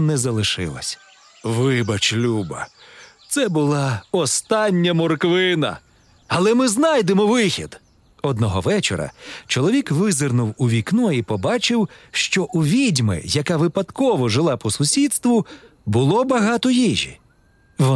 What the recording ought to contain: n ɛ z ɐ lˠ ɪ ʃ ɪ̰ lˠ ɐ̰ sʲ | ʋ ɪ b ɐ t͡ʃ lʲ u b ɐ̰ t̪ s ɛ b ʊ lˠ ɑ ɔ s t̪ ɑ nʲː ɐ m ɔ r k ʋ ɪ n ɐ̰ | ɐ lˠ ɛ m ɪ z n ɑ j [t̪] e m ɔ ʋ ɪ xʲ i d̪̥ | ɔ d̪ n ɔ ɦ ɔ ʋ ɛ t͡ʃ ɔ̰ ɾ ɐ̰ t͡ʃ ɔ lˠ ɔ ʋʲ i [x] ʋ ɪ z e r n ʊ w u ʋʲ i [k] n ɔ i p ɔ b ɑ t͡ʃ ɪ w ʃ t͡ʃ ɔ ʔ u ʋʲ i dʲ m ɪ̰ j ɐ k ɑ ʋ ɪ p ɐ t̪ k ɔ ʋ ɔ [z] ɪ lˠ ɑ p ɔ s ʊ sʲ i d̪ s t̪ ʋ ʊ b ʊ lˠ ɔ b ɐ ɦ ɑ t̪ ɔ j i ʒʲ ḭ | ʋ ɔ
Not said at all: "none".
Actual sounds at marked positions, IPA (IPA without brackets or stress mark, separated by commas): d̪, k, k, ʒ